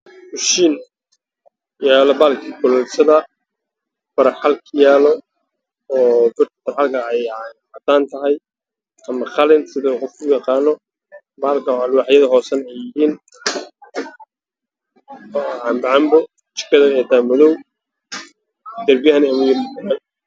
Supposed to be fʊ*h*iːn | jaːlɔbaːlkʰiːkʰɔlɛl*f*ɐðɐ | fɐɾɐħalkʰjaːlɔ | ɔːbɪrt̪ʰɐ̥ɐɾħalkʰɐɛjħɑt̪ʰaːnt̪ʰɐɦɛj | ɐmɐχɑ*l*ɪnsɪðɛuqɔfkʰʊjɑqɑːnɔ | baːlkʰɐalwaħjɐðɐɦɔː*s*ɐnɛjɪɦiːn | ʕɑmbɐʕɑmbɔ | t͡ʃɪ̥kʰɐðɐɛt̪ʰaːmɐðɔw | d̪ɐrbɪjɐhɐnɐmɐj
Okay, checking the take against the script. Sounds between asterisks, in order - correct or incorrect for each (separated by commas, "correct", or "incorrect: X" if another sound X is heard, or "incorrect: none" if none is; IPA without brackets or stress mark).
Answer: incorrect: ʃ, incorrect: s, correct, correct